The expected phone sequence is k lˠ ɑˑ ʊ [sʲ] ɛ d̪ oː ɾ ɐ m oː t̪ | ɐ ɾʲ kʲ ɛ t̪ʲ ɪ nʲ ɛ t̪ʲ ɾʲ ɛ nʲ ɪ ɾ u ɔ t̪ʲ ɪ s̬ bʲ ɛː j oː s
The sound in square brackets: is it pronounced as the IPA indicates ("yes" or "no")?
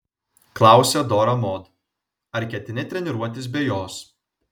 yes